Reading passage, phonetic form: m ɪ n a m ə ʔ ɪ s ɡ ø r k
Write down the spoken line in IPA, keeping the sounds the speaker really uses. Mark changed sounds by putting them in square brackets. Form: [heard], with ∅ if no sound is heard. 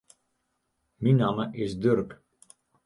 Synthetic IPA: m [i] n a m ə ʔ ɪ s [d] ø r k